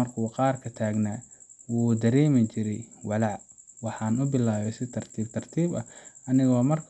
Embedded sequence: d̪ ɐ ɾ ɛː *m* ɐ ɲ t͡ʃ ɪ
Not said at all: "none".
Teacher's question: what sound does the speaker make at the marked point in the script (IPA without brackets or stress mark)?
m